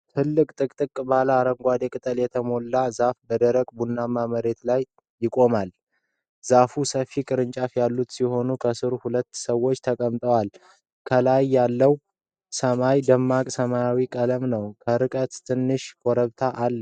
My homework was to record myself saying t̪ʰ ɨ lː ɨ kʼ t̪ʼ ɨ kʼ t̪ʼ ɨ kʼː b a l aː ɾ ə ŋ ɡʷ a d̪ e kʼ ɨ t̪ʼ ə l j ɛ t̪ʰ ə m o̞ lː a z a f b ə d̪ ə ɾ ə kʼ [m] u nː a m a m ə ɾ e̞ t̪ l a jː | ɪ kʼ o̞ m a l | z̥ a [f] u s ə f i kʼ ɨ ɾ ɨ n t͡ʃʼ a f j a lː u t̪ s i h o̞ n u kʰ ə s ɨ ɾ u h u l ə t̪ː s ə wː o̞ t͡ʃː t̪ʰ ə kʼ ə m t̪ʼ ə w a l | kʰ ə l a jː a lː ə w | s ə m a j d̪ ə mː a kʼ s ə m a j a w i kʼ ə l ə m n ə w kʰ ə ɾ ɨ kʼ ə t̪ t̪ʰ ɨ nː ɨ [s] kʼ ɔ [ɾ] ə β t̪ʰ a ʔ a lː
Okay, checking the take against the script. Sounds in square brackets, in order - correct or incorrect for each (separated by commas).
incorrect, correct, incorrect, correct